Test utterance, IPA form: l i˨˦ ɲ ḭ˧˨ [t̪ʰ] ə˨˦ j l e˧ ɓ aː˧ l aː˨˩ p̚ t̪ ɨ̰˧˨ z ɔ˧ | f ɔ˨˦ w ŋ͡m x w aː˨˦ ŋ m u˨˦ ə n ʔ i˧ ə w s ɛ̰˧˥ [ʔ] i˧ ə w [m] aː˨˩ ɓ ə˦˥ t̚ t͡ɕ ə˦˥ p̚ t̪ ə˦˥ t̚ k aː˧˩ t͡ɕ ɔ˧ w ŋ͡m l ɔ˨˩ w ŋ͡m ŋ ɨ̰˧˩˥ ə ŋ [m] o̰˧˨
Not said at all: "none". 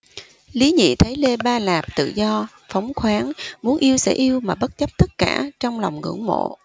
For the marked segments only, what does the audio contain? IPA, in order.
t̪ʰ, ʔ, m, m

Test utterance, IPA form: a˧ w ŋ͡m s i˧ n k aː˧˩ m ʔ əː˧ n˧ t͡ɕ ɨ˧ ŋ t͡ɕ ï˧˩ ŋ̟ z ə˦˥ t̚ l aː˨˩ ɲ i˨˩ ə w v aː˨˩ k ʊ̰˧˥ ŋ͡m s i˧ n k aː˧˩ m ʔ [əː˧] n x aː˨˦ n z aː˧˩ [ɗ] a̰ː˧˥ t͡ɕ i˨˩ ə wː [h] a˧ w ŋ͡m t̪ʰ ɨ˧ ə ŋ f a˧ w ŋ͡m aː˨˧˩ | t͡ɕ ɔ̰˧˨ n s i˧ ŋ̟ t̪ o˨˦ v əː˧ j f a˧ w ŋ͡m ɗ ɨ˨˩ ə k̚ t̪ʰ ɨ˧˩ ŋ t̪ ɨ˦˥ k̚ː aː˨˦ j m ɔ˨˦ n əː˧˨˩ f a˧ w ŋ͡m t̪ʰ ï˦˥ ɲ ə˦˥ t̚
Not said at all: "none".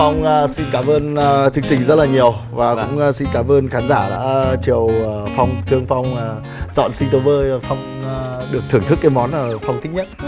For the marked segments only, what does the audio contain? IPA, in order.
əː˧, ɗ, f

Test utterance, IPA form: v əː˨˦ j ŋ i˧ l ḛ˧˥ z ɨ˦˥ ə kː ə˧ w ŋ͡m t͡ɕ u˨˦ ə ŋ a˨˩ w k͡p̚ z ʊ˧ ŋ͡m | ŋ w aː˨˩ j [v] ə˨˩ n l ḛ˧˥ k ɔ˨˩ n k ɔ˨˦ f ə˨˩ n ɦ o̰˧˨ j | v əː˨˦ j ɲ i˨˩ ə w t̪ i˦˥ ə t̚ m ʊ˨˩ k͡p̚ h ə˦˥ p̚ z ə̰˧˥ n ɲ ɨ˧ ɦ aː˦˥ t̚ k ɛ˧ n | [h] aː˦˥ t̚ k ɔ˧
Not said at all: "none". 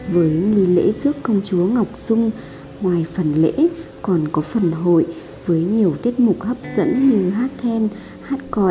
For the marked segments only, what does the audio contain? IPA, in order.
f, h

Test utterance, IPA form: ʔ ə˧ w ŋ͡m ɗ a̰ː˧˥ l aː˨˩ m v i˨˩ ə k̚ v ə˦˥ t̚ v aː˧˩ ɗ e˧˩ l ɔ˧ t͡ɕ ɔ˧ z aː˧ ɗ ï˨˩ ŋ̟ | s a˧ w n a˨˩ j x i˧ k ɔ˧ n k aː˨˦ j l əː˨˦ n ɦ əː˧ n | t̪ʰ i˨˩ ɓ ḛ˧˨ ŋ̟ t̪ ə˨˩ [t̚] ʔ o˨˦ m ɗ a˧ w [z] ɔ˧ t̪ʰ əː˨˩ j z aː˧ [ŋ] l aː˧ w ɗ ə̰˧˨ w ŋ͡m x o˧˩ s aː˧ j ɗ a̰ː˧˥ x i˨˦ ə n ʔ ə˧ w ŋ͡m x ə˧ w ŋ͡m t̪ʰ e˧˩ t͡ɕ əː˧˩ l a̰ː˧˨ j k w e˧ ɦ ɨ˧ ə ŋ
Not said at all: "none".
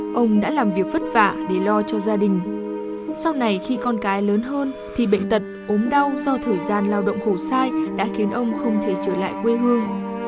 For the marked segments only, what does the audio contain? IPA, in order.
t̚, z, n

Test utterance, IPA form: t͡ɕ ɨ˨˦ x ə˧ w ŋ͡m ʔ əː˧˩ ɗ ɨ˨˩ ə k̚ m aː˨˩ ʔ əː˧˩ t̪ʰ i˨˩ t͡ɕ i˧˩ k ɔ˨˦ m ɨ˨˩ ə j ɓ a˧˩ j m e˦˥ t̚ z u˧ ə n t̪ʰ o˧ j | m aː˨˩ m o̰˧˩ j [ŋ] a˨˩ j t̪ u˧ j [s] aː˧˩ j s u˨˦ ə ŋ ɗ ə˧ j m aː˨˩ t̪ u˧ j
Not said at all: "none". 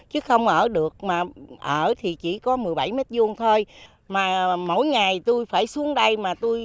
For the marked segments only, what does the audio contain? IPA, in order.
ŋ, f

